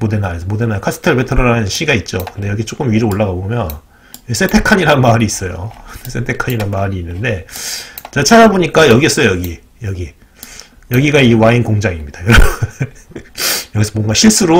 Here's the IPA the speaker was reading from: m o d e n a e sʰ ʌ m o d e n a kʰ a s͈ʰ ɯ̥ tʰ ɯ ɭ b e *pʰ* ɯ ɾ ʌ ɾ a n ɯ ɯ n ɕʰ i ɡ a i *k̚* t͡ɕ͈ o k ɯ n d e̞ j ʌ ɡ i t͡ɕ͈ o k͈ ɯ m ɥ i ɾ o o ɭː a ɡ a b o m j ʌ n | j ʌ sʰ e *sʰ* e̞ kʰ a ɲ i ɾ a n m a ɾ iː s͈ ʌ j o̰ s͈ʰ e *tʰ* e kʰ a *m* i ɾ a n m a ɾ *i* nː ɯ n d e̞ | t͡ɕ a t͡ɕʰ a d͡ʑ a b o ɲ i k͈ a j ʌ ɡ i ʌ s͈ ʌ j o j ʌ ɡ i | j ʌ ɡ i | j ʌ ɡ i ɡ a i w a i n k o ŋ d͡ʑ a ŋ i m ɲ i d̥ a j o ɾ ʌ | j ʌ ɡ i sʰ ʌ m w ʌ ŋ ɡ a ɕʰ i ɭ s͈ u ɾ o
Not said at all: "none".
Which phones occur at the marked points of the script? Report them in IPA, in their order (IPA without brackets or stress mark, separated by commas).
tʰ, t̚, tʰ, tʰ, ɲ, iː